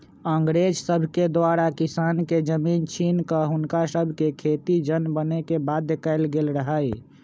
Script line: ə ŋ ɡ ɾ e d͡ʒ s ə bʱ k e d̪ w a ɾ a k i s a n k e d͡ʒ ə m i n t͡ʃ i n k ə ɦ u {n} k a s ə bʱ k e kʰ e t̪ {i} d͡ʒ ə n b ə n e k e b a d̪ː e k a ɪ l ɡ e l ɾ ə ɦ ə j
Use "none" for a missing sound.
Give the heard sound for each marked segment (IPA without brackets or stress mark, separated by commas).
n, i